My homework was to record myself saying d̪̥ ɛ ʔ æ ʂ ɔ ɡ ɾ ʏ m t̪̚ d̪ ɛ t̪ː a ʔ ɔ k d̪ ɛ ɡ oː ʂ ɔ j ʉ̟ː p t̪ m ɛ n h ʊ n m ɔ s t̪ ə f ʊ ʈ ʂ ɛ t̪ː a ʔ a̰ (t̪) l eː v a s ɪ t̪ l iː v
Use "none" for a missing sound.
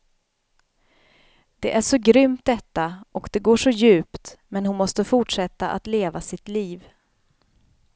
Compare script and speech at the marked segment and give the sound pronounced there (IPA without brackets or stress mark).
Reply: t̪